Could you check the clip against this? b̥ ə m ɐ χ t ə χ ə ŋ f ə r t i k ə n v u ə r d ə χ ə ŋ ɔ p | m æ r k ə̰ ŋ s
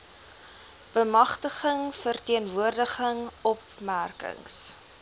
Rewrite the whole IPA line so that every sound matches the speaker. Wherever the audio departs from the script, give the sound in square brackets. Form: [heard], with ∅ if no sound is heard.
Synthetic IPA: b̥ ə m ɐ χ t ə χ ə ŋ f ə r t i [∅] ə n v u ə r d ə χ ə ŋ ɔ p | m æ r k ə̰ ŋ s